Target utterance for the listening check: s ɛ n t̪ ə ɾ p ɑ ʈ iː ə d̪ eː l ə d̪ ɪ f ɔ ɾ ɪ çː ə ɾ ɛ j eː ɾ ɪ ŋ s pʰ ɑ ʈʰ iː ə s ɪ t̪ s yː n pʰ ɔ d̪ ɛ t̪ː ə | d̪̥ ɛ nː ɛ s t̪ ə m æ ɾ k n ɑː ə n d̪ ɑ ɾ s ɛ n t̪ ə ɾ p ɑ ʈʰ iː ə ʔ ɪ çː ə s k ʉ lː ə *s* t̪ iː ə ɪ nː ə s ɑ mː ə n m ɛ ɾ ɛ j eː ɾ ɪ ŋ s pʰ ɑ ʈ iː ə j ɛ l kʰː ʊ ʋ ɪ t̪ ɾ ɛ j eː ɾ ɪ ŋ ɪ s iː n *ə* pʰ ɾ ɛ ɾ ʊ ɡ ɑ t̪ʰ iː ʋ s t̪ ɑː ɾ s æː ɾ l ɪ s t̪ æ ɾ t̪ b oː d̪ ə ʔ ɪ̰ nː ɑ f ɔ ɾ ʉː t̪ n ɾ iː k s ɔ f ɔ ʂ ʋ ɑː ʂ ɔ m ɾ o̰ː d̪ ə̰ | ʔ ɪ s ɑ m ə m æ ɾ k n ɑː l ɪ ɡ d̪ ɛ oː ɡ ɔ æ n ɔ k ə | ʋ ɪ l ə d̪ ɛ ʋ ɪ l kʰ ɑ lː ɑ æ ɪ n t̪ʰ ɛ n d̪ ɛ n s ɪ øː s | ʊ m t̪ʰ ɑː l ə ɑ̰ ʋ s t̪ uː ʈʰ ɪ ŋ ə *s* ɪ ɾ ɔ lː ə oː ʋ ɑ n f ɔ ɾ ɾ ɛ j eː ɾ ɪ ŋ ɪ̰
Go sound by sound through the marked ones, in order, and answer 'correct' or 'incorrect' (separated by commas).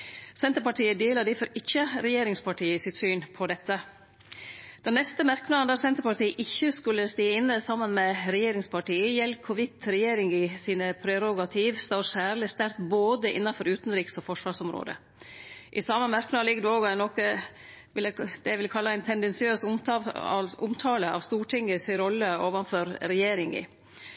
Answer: correct, correct, correct